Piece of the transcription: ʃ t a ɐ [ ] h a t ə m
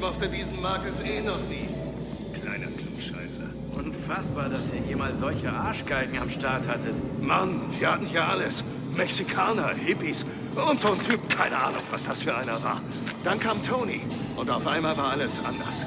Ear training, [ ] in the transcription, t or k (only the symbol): t